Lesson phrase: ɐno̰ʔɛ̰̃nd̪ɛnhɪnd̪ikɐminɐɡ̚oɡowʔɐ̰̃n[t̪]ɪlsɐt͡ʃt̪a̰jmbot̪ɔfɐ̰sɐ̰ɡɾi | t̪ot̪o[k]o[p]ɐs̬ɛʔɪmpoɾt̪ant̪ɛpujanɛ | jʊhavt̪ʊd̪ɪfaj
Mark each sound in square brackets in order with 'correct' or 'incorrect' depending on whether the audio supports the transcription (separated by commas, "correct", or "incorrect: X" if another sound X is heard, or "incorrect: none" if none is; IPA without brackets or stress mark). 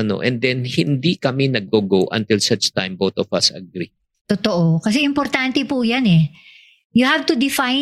correct, incorrect: ʔ, incorrect: k